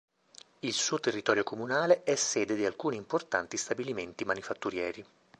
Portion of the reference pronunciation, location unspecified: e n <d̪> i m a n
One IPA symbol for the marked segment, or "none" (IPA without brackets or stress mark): t̪